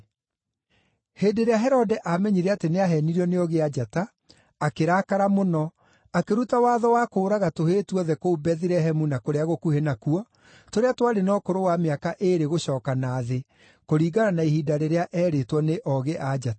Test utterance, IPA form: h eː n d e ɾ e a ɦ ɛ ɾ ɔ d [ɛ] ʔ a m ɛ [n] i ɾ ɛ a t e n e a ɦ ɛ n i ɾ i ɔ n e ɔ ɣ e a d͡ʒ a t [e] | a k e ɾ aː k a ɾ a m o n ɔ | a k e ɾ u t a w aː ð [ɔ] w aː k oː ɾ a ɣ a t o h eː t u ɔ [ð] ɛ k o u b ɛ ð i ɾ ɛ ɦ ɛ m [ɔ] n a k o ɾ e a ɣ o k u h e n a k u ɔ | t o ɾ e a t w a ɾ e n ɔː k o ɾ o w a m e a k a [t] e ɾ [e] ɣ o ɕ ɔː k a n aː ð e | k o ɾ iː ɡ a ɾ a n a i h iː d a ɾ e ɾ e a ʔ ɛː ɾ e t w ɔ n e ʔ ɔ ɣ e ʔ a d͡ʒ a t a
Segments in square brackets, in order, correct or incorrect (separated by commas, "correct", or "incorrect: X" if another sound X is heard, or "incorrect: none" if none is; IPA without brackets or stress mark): correct, incorrect: ɲ, incorrect: a, correct, correct, incorrect: u, incorrect: ʔ, correct